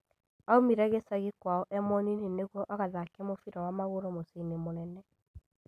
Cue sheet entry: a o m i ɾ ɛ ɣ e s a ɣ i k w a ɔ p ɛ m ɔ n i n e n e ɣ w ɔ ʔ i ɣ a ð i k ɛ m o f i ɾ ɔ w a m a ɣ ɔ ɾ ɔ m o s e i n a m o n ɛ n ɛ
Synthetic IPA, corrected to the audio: a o m i ɾ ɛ ɣ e s a ɣ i k w a ɔ ʔ ɛ m ɔ n i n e n e ɣ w ɔ ʔ a ɣ a ð a k ɛ m o f i ɾ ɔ w a m a ɣ o ɾ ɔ m o s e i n e m o n ɛ n ɛ